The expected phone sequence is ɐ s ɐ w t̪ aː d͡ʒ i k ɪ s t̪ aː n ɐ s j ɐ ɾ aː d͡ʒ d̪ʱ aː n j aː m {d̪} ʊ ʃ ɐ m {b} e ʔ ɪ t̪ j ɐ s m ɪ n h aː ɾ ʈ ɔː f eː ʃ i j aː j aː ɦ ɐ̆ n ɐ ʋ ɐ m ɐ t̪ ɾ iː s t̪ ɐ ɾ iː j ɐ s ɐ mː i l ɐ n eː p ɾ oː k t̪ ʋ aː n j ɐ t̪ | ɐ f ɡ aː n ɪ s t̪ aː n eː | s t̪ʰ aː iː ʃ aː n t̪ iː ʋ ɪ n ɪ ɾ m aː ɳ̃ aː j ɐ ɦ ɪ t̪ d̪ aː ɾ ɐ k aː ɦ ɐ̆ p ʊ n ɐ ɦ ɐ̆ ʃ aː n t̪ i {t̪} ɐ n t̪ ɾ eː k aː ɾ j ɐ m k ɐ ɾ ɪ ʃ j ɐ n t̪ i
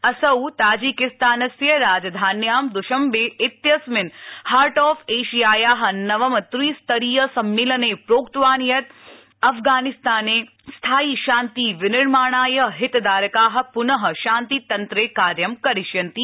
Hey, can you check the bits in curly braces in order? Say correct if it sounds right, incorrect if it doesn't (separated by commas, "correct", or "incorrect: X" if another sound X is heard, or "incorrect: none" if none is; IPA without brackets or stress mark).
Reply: correct, correct, correct